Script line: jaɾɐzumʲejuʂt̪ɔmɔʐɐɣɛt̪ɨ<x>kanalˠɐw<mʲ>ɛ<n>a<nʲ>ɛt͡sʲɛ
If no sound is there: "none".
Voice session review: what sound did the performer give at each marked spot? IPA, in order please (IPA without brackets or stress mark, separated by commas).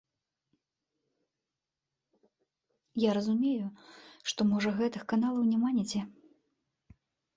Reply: x, nʲ, m, nʲ